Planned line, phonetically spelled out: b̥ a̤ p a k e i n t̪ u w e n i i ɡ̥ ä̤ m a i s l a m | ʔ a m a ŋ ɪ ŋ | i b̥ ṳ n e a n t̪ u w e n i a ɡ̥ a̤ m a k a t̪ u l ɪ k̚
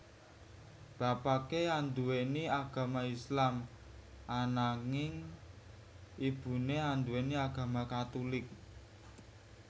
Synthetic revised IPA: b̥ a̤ p a k e a n d̪ u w e n i a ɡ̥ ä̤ m a i s l a m | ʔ a n a ŋ ɪ ŋ | i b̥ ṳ n e a n d̪ u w e n i a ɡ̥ a̤ m a k a t̪ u l ɪ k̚